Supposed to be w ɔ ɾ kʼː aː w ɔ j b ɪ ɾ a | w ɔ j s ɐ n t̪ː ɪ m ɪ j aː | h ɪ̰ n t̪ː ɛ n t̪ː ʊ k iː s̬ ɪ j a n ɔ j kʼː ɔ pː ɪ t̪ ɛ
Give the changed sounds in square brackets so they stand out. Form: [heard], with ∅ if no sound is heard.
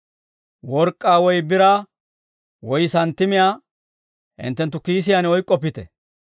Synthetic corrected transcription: w ɔ ɾ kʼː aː w ɔ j b ɪ ɾ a | w ɔ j s ɐ n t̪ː ɪ m ɪ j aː | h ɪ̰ n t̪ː ɛ n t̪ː ʊ k iː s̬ ɪ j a n ɔ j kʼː ɔ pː ɪ t̪ ɛ